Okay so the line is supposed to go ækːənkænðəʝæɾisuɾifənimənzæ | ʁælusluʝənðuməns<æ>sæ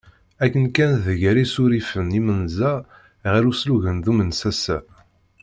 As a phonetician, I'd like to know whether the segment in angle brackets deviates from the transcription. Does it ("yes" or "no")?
no